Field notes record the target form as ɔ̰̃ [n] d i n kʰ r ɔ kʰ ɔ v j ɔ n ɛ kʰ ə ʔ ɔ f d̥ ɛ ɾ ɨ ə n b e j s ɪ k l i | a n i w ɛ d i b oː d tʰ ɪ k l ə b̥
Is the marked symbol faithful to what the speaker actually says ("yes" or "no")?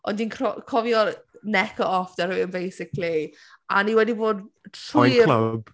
yes